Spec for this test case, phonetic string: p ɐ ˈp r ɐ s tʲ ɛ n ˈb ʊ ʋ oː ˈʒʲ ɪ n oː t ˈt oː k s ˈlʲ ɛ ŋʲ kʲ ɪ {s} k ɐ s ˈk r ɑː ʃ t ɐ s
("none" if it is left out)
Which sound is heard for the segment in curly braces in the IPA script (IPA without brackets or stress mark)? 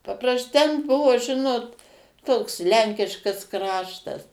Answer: ʃ